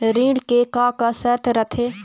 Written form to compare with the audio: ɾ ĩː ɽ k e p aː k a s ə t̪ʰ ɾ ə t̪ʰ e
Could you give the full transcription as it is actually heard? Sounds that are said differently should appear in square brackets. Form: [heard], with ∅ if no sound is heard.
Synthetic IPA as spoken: ɾ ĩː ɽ k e [k] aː k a s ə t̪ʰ ɾ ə t̪ʰ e